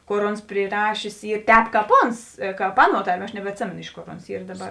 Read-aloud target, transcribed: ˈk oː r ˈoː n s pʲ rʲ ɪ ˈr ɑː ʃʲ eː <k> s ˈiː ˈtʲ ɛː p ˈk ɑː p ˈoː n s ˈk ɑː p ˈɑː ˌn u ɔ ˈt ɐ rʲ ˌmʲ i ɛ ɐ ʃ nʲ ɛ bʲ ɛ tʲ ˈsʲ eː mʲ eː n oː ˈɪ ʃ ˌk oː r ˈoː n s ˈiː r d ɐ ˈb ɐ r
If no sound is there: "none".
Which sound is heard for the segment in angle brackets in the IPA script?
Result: none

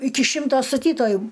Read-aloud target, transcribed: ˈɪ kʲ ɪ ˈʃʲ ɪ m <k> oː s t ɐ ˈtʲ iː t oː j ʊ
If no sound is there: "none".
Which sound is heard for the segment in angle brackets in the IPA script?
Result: t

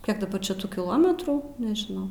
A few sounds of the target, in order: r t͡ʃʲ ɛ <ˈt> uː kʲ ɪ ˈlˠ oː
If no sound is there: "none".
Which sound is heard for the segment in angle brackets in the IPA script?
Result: t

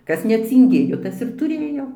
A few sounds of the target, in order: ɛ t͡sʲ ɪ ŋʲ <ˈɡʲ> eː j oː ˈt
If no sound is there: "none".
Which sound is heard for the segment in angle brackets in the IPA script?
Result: ɡʲ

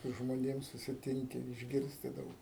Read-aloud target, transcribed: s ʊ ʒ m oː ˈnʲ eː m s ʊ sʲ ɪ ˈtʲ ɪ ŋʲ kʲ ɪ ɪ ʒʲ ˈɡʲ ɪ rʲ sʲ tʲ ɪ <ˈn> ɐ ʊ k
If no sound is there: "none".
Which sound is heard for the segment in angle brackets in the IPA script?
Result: d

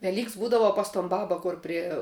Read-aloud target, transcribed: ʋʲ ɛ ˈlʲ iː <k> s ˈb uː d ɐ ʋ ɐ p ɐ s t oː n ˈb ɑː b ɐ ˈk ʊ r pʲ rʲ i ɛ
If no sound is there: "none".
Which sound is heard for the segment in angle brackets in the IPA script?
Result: k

